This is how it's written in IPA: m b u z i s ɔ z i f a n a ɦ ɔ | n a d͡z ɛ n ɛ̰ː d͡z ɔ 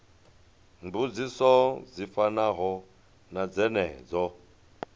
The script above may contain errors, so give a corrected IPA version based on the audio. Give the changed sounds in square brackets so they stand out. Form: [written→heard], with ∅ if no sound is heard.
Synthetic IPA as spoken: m b u [z→d͡z] i s ɔ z i f a n a ɦ ɔ | n a d͡z ɛ n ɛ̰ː d͡z ɔ